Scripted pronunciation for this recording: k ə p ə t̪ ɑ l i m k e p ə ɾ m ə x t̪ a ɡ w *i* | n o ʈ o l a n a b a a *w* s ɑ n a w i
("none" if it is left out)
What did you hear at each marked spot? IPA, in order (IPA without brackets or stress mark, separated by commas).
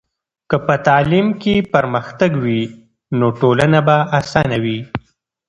i, none